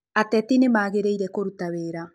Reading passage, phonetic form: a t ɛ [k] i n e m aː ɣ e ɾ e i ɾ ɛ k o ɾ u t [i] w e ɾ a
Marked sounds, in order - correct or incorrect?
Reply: incorrect: t, incorrect: a

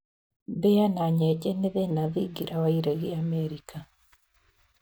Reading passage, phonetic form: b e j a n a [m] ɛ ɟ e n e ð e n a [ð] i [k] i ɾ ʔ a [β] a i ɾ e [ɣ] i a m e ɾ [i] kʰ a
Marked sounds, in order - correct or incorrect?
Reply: incorrect: ɲ, correct, incorrect: ɡ, incorrect: w, correct, correct

